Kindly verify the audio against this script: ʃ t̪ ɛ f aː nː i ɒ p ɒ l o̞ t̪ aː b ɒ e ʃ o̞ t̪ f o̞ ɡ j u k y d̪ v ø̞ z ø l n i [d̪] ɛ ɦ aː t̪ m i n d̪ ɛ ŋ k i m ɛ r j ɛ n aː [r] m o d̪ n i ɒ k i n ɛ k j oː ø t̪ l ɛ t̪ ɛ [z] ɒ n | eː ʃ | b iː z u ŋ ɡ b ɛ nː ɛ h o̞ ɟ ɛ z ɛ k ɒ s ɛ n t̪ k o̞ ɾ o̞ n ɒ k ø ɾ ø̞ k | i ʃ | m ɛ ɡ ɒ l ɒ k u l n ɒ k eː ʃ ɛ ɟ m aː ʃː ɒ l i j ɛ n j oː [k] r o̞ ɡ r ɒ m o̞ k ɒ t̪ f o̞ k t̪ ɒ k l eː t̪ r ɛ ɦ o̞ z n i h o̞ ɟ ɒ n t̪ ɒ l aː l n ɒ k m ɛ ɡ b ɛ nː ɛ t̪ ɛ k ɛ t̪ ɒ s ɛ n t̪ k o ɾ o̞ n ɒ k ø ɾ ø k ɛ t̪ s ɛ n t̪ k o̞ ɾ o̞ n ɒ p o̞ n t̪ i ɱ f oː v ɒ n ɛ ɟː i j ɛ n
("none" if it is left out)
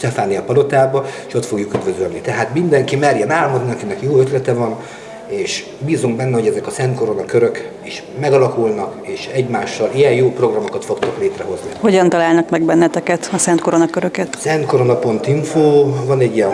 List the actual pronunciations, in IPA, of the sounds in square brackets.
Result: t̪, l, v, p

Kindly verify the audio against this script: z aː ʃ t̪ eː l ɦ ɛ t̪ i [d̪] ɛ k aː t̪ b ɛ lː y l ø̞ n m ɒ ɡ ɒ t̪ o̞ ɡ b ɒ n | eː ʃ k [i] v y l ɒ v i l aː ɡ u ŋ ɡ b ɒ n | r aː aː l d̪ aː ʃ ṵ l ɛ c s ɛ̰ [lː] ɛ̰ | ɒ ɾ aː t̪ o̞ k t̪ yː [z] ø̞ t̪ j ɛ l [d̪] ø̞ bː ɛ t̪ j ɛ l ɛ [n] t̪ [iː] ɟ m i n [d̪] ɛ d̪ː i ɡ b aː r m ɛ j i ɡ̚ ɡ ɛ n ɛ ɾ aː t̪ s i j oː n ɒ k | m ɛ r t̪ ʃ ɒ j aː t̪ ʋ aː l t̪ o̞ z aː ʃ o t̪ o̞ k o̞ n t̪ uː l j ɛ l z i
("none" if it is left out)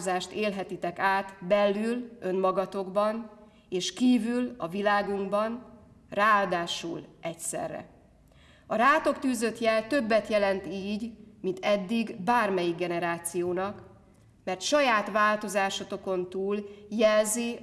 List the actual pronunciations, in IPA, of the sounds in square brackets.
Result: t̪, iː, rː, z, t̪, n, iː, t̪

